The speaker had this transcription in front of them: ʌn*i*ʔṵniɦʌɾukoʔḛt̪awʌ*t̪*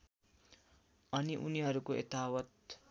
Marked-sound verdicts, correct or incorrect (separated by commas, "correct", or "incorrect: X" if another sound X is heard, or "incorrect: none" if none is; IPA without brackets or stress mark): correct, correct